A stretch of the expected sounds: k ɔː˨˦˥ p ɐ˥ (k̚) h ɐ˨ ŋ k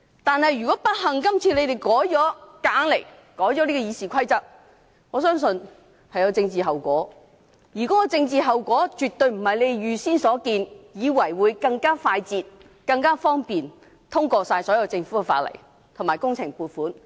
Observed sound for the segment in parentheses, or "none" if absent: t̚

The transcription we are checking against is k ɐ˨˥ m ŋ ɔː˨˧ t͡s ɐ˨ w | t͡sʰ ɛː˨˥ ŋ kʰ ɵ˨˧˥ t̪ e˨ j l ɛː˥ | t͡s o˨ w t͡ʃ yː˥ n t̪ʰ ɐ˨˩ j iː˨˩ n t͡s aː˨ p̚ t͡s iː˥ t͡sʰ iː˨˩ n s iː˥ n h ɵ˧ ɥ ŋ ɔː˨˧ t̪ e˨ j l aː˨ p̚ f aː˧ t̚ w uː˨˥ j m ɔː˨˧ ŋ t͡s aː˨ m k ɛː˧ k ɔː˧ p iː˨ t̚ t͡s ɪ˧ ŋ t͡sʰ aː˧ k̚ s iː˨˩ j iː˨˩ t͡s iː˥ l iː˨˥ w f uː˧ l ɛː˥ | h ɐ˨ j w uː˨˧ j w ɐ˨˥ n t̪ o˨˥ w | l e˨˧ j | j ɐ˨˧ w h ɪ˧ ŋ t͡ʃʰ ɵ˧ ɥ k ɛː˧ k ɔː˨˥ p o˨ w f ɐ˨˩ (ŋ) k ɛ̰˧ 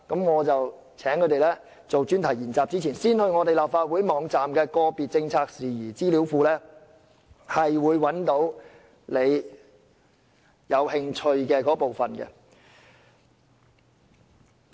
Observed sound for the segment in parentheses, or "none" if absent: n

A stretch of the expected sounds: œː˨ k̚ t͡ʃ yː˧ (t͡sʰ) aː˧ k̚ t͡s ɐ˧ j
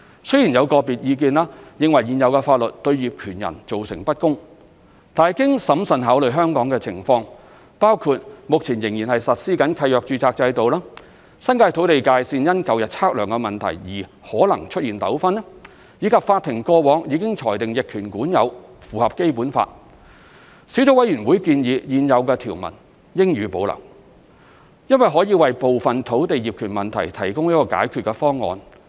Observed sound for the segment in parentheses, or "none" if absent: t͡s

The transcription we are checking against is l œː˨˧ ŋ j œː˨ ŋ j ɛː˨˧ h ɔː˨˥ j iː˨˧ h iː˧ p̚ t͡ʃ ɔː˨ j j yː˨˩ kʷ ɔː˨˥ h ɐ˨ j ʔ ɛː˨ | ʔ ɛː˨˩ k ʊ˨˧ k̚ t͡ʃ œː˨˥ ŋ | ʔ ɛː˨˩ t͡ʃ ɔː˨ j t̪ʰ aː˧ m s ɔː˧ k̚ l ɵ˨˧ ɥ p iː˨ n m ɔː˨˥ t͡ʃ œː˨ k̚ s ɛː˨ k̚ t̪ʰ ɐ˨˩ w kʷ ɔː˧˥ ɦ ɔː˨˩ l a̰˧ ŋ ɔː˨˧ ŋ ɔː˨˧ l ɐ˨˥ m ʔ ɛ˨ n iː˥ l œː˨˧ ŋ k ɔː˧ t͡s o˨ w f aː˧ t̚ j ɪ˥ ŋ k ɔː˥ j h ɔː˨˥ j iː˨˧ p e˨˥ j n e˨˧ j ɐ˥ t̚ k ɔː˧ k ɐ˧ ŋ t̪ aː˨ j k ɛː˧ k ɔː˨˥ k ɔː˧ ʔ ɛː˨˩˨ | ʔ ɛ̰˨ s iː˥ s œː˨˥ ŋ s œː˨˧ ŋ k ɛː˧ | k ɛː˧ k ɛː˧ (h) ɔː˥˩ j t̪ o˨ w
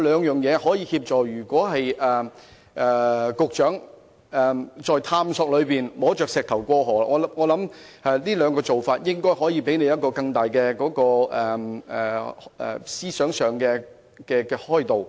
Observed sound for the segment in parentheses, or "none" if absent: h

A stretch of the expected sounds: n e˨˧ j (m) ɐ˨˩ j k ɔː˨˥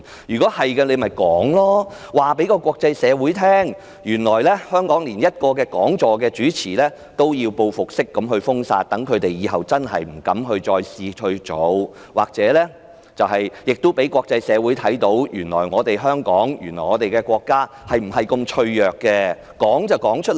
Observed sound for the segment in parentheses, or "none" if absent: m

